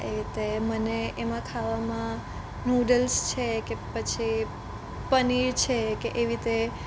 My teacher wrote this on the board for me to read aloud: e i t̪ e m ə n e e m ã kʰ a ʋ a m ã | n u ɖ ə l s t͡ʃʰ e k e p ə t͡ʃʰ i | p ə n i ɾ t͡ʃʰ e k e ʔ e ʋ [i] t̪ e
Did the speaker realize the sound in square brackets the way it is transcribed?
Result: yes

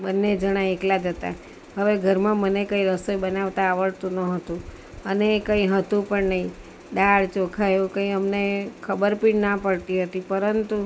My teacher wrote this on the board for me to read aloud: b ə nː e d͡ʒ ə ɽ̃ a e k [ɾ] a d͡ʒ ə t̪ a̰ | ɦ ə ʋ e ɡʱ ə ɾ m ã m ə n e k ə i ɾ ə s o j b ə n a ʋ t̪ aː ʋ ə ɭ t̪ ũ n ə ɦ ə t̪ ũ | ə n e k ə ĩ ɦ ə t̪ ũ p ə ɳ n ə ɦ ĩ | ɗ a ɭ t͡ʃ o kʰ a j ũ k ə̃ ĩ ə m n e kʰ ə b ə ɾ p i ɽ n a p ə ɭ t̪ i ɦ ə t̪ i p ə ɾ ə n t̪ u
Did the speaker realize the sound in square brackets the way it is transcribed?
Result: no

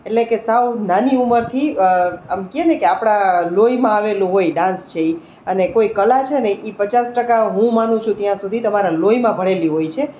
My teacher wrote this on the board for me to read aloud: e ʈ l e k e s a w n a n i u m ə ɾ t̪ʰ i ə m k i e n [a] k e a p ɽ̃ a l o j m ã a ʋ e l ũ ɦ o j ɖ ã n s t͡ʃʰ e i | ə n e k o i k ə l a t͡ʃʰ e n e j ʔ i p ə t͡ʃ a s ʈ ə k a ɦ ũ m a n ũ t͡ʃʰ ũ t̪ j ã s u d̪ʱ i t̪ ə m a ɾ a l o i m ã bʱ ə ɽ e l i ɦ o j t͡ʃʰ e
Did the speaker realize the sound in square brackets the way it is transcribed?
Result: no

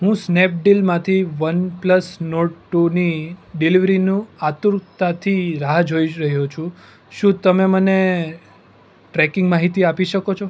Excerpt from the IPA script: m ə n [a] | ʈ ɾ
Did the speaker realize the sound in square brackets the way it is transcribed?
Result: no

